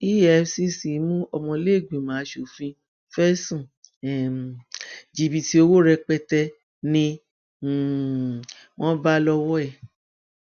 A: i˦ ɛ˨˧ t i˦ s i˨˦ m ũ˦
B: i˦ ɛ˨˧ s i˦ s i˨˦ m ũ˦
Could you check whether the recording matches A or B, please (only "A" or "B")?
B